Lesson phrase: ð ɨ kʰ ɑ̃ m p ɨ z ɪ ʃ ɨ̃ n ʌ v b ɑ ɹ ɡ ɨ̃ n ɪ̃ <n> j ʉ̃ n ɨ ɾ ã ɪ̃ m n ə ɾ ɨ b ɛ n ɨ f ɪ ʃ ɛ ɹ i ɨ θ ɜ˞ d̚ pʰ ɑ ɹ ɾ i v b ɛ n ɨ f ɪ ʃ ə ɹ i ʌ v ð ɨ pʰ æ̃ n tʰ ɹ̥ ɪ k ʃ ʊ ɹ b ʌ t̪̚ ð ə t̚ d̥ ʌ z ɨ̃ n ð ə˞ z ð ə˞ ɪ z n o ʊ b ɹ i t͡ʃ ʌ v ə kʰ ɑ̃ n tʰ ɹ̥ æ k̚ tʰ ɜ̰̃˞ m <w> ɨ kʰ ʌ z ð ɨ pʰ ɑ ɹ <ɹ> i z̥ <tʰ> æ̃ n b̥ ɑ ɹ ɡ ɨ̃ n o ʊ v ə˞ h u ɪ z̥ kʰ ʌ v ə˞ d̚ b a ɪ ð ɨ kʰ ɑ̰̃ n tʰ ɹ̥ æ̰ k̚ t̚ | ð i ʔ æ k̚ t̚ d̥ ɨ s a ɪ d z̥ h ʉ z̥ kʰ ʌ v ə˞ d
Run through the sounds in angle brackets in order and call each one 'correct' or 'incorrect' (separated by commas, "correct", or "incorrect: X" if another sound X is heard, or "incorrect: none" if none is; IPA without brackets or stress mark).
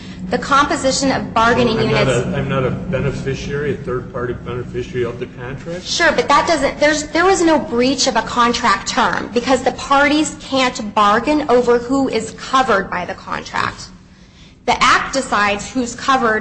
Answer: incorrect: ŋ, incorrect: b, incorrect: ɾ, incorrect: kʰ